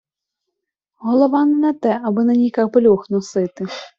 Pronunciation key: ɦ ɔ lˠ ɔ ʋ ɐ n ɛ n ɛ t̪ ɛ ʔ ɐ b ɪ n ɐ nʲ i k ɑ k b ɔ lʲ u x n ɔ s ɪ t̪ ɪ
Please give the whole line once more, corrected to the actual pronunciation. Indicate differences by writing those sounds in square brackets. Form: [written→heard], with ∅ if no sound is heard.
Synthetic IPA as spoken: ɦ ɔ lˠ ɔ ʋ [ɐ→ɑ] n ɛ n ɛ t̪ ɛ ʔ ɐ b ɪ n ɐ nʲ i k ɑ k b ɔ lʲ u x n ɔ s ɪ t̪ ɪ